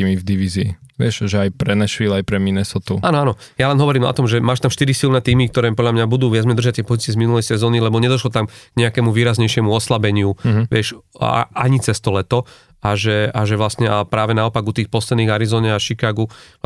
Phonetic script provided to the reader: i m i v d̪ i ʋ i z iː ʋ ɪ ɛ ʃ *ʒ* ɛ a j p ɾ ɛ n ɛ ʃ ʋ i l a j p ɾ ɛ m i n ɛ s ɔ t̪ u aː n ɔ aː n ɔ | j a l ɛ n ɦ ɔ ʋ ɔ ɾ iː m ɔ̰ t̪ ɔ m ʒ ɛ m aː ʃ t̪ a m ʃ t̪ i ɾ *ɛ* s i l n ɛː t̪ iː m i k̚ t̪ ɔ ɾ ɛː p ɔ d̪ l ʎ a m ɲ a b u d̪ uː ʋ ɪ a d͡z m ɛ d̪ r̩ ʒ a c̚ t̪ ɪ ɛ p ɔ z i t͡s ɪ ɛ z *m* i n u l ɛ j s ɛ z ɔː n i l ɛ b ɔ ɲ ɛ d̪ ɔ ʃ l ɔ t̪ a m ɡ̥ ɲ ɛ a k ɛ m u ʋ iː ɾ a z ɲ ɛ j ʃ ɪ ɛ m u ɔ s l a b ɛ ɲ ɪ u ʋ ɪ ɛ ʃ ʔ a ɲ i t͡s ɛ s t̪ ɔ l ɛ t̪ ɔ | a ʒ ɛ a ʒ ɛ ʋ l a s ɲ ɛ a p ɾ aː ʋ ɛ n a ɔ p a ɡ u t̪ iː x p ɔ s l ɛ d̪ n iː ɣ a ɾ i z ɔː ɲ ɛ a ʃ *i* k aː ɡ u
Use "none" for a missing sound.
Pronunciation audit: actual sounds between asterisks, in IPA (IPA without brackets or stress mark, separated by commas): ʒ, i, m, i